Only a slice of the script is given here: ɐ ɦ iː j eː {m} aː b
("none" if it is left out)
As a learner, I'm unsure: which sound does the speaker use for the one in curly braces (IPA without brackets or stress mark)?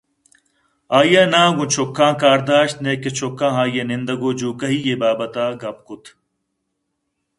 b